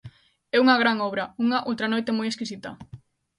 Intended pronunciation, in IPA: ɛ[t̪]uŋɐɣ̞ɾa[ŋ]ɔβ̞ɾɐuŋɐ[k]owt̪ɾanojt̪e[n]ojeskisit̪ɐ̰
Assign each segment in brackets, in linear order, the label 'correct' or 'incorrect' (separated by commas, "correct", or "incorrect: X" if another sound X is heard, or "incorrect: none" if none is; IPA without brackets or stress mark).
incorrect: none, correct, incorrect: ʔ, incorrect: m